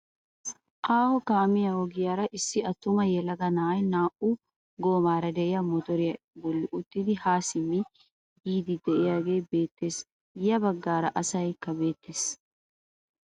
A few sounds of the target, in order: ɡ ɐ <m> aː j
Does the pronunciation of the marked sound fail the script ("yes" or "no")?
yes